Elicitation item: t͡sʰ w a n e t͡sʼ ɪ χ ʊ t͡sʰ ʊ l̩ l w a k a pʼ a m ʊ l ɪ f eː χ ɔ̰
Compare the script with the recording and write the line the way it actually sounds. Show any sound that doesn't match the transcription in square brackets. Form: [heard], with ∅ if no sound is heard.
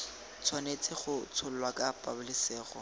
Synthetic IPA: t͡sʰ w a n e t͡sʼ ɪ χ ʊ t͡sʰ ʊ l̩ l w a k a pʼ a [b] ʊ l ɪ [s] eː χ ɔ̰

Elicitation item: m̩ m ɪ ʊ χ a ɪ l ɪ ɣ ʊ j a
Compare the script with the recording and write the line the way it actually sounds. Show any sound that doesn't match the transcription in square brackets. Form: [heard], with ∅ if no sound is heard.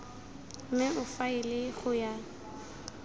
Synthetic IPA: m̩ m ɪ ʊ [f] a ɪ l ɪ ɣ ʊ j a

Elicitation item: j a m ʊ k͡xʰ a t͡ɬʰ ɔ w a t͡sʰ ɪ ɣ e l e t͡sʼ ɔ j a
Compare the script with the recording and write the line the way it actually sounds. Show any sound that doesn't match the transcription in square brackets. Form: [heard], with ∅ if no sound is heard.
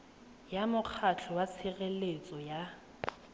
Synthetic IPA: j a m ʊ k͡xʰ a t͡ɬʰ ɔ w a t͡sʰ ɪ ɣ e l e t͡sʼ ɔ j a

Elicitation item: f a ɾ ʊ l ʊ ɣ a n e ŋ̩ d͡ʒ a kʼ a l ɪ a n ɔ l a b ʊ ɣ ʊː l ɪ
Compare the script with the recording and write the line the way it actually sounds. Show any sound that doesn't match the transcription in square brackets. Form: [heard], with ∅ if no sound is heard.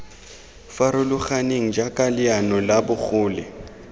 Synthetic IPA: f a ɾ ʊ l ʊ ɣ a n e ŋ̩ d͡ʒ a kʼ a l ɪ a n ɔ l a b ʊ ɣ ʊː l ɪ

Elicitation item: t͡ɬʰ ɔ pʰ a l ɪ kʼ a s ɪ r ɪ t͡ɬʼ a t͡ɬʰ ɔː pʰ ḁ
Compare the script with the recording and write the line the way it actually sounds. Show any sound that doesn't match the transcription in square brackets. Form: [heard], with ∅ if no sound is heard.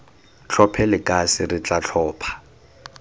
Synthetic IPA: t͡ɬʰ ɔ pʰ [ɛ] l ɪ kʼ a s ɪ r ɪ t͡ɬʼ a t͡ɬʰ ɔː pʰ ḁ

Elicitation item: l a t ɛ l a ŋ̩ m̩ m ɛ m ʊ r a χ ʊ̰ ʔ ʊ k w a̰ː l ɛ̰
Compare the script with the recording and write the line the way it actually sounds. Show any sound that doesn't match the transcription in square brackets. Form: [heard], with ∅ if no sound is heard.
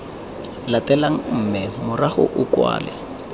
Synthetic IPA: l a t ɛ l a ŋ̩ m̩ m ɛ m ʊ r a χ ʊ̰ ʔ ʊ k w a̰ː l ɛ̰

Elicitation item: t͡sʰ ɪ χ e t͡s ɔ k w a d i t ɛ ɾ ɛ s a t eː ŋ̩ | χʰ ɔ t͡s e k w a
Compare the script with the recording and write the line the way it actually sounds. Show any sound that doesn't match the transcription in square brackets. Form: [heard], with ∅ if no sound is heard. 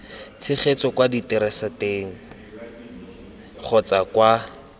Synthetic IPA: t͡sʰ ɪ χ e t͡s ɔ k w a d i t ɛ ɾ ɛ s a t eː ŋ̩ | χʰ ɔ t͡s [a] k w a

